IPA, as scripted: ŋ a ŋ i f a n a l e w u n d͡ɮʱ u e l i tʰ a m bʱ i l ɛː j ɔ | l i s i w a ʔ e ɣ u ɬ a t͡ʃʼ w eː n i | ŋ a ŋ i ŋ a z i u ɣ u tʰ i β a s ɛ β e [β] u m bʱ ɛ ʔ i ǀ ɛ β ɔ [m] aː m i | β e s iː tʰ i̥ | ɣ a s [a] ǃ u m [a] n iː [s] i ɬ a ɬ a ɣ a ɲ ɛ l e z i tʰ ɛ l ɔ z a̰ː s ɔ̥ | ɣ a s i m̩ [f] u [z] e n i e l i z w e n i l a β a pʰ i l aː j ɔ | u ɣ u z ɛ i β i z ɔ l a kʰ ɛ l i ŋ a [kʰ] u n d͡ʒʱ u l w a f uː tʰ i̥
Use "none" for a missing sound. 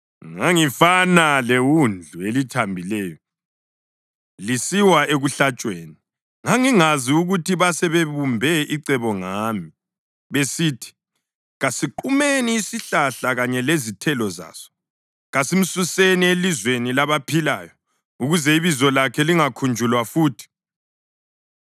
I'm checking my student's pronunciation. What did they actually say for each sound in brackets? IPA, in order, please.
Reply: β, ŋ, i, e, s, s, s, kʰ

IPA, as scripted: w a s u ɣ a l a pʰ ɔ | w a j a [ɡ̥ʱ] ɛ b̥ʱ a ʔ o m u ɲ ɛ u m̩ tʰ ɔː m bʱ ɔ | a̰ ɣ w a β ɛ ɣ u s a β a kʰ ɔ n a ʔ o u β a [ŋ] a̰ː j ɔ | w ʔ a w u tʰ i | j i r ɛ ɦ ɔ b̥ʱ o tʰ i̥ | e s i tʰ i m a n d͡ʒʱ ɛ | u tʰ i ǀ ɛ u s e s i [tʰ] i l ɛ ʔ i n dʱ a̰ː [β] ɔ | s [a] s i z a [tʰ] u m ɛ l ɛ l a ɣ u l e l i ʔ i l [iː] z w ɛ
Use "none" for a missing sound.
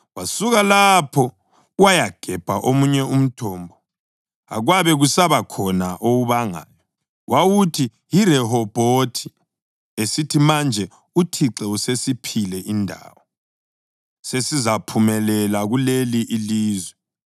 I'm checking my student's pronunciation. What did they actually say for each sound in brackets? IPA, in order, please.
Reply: ɡ̥ʱ, ŋ, pʰ, w, e, pʰ, iː

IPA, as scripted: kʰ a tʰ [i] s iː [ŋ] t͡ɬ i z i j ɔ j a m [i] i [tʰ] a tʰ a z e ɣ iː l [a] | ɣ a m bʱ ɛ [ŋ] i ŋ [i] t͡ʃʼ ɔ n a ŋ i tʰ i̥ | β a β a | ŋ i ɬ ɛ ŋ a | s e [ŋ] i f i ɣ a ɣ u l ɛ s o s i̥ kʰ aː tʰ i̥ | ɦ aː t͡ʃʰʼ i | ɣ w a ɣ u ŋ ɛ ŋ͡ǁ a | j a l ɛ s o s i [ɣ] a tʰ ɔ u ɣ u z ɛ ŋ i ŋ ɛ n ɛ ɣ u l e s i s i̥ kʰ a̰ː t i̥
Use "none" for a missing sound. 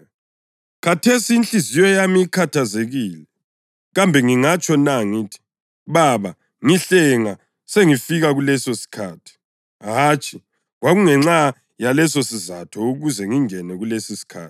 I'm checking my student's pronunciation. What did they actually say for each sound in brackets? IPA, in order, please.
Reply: e, n, i, kʰ, ɛ, ŋ, a, ŋ, z

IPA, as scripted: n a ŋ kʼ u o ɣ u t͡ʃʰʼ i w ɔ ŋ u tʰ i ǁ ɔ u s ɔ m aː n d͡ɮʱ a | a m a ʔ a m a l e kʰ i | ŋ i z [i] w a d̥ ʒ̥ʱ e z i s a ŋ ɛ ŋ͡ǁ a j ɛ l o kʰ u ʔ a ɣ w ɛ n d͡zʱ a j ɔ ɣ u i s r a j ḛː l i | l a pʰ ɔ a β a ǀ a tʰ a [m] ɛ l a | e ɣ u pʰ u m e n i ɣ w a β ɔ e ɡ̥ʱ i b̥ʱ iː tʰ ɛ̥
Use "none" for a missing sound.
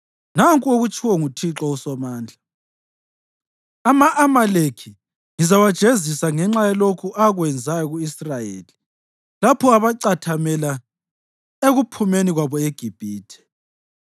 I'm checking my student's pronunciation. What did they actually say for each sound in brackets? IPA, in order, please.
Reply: a, m

